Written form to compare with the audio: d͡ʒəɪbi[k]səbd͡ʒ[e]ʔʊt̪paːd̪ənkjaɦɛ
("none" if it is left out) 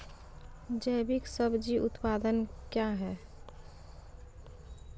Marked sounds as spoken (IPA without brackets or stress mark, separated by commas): k, i